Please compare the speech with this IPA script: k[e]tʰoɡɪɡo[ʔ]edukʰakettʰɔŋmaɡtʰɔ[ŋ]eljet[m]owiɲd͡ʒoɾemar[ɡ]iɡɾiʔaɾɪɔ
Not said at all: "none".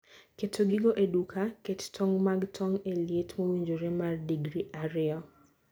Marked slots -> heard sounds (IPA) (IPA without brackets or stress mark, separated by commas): e, ʔ, ŋ, m, d